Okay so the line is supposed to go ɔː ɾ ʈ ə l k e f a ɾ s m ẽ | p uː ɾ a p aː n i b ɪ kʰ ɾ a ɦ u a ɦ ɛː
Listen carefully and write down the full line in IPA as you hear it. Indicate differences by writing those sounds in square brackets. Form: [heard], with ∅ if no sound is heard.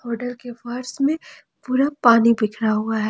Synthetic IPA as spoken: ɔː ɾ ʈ ə l k e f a ɾ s m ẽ | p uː ɾ a p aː n i b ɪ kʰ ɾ a ɦ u a ɦ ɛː